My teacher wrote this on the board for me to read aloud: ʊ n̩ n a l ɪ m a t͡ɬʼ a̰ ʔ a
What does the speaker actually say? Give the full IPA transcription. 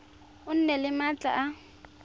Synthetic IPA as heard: ʊ n̩ n ɛ l ɪ m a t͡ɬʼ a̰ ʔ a